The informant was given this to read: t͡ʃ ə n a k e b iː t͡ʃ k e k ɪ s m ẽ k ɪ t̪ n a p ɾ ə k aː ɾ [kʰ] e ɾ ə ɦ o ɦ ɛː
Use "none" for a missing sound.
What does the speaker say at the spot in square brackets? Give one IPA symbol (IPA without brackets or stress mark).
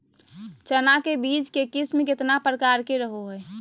k